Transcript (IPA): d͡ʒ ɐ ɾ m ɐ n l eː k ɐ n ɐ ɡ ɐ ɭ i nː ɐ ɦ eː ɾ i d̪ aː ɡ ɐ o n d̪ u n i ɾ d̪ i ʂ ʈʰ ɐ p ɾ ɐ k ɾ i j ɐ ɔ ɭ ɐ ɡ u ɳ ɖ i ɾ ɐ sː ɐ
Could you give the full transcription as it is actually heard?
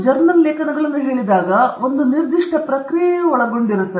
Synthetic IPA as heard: d͡ʒ ɐ ɾ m ɐ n l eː k ɐ n ɐ ɡ ɐ ɭ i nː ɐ ɦ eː ɭ i d̪ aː ɡ ɐ o n d̪ u n i ɾ d̪ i ʂ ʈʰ ɐ p ɾ ɐ k ɾ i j ɐ ɔ ɭ ɐ ɡ o ɳ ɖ i ɾ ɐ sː ɐ